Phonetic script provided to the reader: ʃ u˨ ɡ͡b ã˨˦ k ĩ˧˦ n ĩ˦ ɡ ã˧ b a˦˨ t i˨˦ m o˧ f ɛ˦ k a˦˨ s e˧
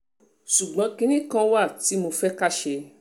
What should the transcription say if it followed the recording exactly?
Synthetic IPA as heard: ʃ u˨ ɡ͡b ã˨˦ k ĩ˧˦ n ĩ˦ k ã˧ w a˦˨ t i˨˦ m o˧ f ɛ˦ k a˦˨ ʃ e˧